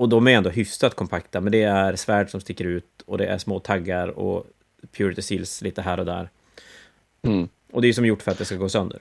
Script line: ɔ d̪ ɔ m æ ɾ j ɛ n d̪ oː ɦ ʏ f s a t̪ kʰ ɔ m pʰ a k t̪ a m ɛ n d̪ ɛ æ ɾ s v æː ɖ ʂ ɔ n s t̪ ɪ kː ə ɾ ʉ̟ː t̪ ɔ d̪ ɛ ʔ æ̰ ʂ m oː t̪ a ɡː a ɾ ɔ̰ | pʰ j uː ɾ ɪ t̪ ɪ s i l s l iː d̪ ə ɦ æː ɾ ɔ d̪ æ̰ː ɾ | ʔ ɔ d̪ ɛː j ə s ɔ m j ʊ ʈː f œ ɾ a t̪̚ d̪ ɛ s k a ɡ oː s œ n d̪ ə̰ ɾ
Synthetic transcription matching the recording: ɔ d̪ ɔ m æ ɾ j ɛ n d̪ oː ɦ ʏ f s a t̪ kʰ ɔ m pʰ a k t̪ a m ɛ n d̪ ɛ æ ɾ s v æː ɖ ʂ ɔ m s t̪ ɪ kː ə ɾ ʉ̟ː t̪ ɔ d̪ ɛ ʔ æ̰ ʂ m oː t̪ʰ a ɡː a ɾ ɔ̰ | pʰ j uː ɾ ɪ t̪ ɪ s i l s l iː t̪ ə ɦ æː ɾ ɔ d̪ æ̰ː ɾ | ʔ ɔ d̪ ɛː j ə s ɔ m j ʊ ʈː f œ ɾ a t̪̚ d̪ ɛ s k a ɡ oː s œ n d̪ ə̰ ɾ